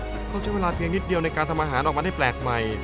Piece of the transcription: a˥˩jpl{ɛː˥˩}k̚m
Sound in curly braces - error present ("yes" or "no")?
yes